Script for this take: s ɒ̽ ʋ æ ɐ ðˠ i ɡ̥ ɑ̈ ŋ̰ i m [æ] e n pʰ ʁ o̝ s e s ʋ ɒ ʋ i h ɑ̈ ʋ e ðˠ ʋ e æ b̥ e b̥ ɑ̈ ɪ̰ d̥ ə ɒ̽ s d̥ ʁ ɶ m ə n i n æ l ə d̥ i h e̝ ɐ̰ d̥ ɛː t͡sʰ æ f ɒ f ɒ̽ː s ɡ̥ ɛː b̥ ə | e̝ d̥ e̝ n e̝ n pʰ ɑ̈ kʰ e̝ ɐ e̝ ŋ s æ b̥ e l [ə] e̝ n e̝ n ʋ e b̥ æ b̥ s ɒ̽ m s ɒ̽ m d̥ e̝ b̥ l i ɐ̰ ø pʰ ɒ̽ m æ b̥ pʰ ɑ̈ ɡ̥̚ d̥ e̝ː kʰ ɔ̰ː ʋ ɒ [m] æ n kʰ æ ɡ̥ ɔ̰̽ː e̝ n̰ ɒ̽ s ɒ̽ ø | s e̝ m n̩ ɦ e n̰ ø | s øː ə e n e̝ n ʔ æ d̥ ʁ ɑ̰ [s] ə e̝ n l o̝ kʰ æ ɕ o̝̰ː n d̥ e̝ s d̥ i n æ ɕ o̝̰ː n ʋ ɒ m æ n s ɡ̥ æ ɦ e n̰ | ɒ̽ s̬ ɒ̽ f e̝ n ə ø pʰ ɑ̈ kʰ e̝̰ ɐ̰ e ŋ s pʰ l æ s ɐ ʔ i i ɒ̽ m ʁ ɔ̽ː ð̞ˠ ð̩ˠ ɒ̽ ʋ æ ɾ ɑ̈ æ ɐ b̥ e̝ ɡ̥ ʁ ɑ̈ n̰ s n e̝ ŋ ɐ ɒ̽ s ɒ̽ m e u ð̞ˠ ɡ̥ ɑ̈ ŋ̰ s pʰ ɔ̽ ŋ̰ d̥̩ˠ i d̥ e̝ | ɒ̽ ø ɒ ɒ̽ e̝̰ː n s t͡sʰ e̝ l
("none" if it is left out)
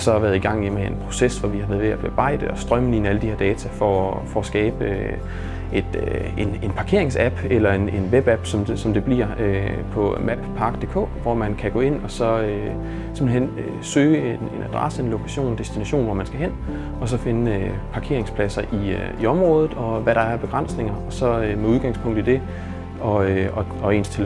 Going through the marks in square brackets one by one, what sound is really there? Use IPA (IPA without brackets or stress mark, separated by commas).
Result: e, ɐ, m, s